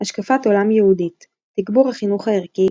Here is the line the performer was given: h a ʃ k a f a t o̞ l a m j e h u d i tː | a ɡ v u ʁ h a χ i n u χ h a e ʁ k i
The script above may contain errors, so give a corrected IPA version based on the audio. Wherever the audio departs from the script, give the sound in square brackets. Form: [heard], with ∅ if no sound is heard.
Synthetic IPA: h a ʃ k a f a t o̞ l a m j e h u d i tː | [i] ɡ [b] u ʁ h a χ i n u χ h a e ʁ k i